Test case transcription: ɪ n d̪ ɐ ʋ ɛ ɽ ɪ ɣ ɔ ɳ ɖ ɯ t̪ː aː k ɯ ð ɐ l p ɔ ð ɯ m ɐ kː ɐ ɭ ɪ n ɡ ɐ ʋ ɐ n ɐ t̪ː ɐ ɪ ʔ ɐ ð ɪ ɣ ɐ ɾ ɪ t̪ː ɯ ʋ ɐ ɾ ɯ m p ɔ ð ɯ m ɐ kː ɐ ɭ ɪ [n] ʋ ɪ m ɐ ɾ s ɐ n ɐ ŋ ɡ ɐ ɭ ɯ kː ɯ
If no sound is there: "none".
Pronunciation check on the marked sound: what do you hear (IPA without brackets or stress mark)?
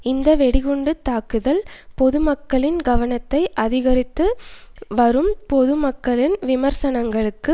n